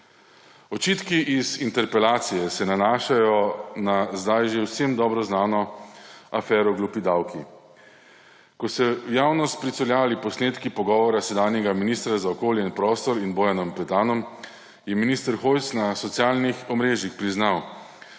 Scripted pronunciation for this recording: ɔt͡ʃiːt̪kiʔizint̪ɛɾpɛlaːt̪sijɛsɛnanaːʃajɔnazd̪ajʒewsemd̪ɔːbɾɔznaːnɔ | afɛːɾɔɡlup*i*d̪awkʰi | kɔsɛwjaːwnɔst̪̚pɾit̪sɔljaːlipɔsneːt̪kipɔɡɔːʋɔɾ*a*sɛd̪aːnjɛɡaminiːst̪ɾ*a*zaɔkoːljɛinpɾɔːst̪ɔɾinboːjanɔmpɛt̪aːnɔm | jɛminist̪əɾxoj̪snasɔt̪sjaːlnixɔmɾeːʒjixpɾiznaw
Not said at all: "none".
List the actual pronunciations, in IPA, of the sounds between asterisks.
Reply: i, a, a

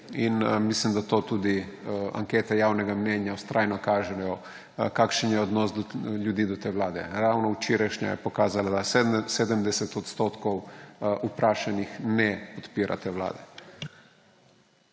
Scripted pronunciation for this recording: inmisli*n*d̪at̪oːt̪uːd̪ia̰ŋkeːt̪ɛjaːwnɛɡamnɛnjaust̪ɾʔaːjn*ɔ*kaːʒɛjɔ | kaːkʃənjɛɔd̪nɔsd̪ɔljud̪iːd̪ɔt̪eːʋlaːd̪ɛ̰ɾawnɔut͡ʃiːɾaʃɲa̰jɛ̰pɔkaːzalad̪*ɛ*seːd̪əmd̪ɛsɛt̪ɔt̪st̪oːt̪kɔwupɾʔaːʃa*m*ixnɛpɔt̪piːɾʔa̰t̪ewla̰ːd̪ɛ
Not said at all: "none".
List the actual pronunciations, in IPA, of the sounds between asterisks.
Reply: m, ɔ, a, n

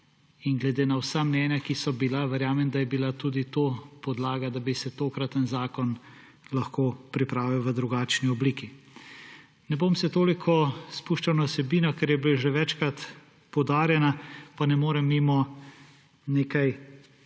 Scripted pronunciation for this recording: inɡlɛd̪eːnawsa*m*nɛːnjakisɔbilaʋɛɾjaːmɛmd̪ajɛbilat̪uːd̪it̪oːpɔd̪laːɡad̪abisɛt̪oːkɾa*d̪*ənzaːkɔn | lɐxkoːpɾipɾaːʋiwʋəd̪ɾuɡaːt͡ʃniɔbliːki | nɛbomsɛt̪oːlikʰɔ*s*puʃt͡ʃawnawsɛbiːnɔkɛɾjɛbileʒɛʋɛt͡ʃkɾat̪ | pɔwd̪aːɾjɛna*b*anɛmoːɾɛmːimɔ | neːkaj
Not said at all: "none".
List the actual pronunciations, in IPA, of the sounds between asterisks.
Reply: m, t̪, s, p

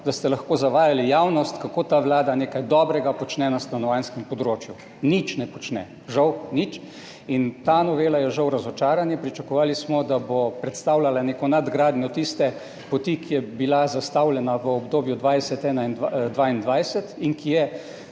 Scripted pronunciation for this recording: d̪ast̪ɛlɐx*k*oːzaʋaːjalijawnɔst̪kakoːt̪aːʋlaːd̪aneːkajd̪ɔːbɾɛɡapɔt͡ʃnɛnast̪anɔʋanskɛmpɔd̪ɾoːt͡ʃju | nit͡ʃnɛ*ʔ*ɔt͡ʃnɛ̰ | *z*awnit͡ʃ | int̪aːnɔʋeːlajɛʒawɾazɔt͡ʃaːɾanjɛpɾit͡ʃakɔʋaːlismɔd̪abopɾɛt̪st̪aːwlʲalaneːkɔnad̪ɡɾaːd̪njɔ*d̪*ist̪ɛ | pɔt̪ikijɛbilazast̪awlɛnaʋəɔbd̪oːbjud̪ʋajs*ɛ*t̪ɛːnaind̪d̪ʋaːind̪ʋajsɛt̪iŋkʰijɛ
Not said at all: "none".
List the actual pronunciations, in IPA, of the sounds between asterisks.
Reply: k, p, ʒ, t̪, ɛ

